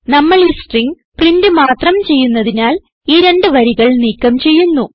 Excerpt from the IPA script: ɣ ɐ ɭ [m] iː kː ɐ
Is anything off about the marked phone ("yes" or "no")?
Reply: yes